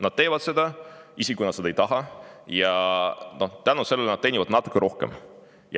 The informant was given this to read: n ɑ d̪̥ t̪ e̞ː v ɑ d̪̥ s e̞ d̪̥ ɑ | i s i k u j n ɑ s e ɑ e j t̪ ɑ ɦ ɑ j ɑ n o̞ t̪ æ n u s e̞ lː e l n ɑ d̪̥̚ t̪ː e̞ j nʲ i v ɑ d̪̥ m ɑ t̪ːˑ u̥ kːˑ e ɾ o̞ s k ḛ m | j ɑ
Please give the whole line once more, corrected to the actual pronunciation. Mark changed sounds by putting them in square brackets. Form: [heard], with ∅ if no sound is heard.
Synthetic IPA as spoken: n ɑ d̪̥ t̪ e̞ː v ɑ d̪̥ s e̞ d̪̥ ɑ | i s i k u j n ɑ s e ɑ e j t̪ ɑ ɦ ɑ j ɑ n o̞ t̪ æ n u s e̞ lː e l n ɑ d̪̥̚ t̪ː e̞ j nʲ i v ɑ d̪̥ [n] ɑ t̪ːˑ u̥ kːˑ e ɾ o̞ [h] k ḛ m | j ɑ

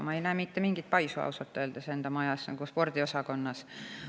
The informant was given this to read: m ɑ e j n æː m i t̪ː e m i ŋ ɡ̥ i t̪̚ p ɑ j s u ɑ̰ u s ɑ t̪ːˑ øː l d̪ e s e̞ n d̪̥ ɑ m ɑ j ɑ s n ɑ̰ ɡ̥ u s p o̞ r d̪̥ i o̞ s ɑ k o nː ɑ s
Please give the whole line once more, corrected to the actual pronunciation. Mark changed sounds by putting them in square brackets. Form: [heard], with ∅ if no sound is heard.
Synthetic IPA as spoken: m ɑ e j n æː m i t̪ː e m i ŋ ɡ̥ i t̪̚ p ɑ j s u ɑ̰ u s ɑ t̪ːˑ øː l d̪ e s e̞ n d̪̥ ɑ m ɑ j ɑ s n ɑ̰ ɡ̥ u s p o̞ r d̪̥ i o̞ s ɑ k o nː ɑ s

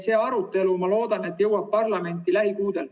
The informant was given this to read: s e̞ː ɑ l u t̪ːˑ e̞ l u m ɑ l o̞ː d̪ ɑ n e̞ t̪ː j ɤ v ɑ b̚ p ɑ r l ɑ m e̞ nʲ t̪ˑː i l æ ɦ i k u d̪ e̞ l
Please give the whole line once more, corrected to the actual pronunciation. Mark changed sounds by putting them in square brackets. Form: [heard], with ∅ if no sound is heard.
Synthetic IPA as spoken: s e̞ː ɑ [ɾ] u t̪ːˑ e̞ l u m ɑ l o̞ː d̪ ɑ n e̞ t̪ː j ɤ [w] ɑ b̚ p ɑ r l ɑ m e̞ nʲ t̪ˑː i l æ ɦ i k [uː] d̪ e̞ l

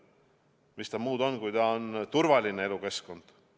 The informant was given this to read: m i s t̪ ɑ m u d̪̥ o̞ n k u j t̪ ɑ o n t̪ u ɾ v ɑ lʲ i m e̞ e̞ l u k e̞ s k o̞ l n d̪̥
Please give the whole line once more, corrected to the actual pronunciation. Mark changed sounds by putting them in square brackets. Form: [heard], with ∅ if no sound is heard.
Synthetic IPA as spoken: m i s t̪ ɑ m [uː] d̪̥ o̞ n k u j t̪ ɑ o n t̪ u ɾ v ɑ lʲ i [n] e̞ e̞ l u k e̞ s k o̞ [∅] n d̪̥

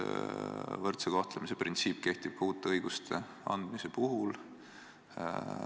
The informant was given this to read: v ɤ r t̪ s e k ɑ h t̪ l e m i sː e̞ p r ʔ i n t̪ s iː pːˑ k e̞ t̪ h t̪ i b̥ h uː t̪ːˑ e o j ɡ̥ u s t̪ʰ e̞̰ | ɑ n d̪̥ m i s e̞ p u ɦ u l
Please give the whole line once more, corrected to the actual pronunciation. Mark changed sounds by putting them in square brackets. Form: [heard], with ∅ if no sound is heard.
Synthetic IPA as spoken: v ɤ r t̪ s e k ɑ h t̪ l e m i [s] e̞ p r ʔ i n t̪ s iː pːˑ k e̞ [∅] h t̪ i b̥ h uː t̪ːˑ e [ɤ] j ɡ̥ u s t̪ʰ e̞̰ | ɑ n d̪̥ m i s e̞ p u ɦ u l

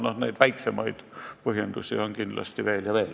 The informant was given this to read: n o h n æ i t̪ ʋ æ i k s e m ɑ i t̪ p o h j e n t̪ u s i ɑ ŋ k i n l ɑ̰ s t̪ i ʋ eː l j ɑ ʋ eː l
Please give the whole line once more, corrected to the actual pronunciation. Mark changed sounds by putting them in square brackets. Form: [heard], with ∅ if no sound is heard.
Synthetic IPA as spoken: n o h n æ i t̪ ʋ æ i k s e m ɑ i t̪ p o h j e n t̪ u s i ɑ ŋ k i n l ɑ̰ s t̪ i ʋ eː l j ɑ ʋ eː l

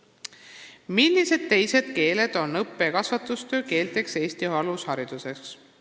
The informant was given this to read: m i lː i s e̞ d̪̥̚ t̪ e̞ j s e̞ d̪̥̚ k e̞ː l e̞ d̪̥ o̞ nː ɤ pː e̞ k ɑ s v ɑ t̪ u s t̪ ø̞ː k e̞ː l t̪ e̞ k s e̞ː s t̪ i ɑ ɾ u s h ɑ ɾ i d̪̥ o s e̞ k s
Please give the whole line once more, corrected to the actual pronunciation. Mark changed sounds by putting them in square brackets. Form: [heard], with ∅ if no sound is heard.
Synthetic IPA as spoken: m i lː i s e̞ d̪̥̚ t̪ e̞ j s e̞ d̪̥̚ k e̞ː l e̞ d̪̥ o̞ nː ɤ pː e̞ k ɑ s v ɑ t̪ u s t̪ ø̞ː k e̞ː l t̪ e̞ k s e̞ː s t̪ i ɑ [l] u s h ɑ ɾ i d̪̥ [u] s e̞ k s

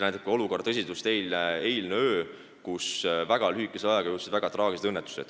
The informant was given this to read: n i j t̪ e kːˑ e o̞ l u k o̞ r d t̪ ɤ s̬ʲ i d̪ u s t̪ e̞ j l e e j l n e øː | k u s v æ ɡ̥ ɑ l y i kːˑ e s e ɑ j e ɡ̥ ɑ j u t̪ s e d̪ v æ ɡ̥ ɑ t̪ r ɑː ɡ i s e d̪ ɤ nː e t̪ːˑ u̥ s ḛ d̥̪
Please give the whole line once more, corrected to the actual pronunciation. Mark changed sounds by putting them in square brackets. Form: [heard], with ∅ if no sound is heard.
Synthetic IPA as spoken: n [æ] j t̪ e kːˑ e o̞ l u k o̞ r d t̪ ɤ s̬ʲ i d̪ u s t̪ e̞ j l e e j l n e øː | k u s v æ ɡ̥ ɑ l y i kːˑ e s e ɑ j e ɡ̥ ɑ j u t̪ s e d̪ v æ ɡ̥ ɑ t̪ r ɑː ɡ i s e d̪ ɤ nː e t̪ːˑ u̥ s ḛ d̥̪

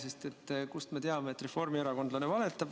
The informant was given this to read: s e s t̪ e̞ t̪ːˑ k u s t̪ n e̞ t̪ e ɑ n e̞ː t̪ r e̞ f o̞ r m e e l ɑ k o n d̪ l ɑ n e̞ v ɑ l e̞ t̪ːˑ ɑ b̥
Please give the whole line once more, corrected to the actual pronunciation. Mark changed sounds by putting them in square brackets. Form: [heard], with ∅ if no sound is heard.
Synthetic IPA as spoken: s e s t̪ e̞ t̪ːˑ k u s t̪ [m] e̞ t̪ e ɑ [m] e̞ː t̪ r e̞ f o̞ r m [i] e [ɾ] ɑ k o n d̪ l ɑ n e̞ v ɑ l e̞ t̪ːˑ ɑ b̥

